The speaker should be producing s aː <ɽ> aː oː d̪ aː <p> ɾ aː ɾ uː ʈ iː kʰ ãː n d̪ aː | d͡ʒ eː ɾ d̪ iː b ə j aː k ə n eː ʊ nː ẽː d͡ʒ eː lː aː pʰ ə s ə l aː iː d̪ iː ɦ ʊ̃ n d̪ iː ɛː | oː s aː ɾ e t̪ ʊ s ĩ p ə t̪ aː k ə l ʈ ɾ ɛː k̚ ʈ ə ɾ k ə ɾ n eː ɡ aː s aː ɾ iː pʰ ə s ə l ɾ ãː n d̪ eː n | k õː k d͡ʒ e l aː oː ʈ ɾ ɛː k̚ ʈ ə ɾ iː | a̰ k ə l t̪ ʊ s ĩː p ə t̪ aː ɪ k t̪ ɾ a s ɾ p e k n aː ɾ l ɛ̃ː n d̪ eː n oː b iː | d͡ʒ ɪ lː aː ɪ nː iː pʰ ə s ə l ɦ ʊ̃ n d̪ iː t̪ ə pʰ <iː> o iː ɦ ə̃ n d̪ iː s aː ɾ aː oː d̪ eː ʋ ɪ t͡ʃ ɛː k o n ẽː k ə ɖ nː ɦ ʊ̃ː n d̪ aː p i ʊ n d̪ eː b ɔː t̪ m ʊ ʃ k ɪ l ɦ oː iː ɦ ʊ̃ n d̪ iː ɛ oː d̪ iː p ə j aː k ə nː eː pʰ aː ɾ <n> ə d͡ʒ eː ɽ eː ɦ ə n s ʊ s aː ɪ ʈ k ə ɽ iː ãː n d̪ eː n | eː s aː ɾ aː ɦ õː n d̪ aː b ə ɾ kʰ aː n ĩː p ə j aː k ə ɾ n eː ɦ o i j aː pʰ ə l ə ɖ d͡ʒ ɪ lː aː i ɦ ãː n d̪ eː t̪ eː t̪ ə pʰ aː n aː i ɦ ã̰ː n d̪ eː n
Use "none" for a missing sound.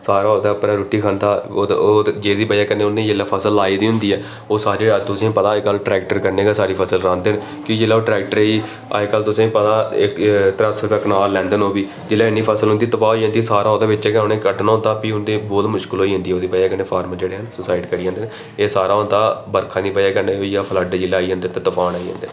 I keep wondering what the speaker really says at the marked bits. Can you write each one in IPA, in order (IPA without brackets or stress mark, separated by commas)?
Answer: ɾ, p, aː, m